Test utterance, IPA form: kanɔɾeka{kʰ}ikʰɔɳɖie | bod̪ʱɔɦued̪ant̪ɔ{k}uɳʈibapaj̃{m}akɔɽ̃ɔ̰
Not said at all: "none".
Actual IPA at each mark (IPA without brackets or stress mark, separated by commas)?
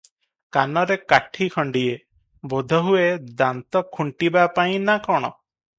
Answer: ʈʰ, kʰ, n